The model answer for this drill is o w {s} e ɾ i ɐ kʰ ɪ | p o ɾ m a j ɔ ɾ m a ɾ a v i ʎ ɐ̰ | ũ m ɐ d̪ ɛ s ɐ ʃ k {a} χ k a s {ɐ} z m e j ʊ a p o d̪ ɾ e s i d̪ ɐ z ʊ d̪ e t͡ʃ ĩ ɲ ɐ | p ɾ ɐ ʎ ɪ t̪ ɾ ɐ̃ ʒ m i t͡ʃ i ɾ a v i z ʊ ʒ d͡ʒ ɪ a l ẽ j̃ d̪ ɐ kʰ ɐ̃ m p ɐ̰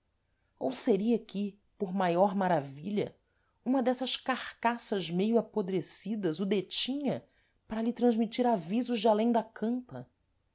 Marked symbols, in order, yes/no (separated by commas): yes, yes, yes